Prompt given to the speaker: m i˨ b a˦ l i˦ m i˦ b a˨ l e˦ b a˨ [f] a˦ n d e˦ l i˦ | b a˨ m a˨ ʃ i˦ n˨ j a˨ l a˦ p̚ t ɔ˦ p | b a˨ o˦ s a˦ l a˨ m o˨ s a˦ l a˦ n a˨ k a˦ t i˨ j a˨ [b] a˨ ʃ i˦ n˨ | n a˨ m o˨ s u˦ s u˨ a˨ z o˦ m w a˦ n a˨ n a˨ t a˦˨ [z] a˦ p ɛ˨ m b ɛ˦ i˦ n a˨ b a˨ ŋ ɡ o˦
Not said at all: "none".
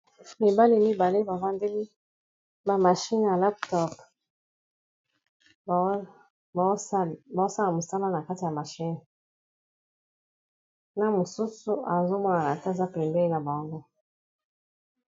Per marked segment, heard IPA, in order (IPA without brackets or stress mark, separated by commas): v, m, z